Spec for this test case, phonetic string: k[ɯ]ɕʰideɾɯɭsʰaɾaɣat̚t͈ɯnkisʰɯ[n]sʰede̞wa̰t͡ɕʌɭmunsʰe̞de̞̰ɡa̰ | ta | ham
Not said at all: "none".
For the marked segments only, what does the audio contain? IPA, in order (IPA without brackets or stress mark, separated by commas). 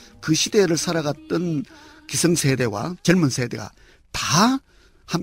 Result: ɯ, ŋ